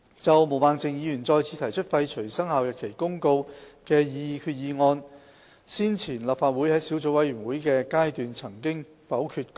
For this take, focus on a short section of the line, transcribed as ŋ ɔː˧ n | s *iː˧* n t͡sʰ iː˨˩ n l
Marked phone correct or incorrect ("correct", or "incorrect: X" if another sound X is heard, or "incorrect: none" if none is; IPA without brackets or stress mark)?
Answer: incorrect: iː˥